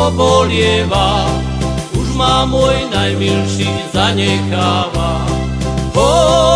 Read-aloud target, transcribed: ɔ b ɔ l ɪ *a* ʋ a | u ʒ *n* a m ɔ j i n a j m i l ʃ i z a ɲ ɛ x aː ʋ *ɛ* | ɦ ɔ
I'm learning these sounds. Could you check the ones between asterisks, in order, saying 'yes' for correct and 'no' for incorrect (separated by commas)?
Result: no, no, no